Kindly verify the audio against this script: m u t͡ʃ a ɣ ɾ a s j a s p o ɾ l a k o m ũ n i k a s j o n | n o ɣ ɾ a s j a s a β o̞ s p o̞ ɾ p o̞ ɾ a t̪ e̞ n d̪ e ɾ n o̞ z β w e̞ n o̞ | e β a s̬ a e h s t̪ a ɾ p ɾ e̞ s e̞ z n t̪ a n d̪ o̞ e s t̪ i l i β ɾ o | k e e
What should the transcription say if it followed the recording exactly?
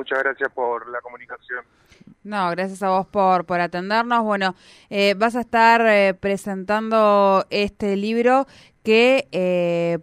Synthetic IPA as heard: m u t͡ʃ a ɣ ɾ a s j a s p o ɾ l a k o m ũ n i k a s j o n | n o ɣ ɾ a s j a s a β o̞ s p o̞ ɾ p o̞ ɾ a t̪ e̞ n d̪ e ɾ n o̞ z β w e̞ n o̞ | e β a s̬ a e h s t̪ a ɾ p ɾ e̞ s e̞ n t̪ a n d̪ o̞ e s t̪ e l i β ɾ o | k e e